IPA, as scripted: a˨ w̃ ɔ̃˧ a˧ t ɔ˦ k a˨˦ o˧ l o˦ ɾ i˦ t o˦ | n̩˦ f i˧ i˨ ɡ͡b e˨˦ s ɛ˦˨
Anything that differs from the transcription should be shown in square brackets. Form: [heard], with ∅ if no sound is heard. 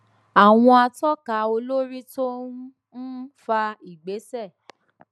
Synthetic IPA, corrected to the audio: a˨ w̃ ɔ̃˧ a˧ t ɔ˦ k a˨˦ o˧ l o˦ ɾ i˦ t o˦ | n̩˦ f [a˧] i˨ ɡ͡b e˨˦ s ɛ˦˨